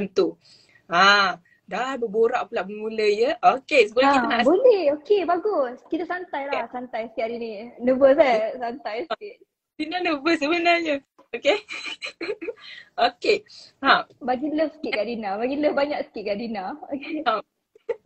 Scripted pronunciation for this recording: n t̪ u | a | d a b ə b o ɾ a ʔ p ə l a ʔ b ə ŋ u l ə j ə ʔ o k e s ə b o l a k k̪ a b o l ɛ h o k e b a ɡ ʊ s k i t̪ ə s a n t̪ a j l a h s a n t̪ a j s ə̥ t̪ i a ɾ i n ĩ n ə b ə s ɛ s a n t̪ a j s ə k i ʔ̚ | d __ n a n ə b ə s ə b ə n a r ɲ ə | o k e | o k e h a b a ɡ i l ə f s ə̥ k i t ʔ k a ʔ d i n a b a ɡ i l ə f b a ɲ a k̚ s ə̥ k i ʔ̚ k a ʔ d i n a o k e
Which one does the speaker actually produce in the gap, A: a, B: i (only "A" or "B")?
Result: B